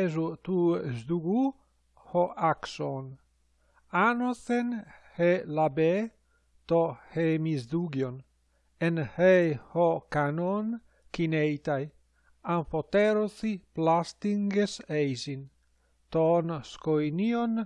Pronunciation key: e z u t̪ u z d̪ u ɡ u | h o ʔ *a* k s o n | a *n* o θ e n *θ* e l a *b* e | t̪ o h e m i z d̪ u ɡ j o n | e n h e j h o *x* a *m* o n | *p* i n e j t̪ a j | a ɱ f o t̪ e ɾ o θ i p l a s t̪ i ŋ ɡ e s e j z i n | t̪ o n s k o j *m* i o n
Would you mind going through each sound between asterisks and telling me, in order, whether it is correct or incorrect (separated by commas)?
correct, correct, incorrect, correct, incorrect, incorrect, incorrect, incorrect